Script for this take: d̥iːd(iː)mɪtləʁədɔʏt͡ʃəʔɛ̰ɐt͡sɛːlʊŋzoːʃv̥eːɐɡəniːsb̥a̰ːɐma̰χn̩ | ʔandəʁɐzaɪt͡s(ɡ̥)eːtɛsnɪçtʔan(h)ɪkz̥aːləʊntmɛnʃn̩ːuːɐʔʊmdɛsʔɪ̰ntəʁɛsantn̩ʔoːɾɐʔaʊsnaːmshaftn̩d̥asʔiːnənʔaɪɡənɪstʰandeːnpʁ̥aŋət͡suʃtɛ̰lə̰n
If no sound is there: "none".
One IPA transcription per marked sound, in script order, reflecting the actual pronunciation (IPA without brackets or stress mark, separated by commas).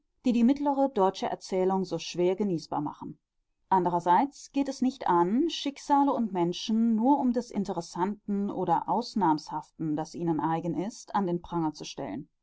iː, ɡ̥, ʃ